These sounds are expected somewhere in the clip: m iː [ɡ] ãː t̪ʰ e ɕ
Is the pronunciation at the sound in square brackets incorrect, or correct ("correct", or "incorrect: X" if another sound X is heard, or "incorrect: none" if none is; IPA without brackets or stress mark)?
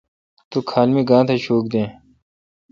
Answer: correct